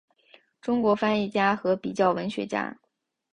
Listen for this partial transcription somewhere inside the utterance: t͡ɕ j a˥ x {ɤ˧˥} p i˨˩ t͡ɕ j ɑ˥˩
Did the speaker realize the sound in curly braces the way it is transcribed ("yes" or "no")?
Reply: yes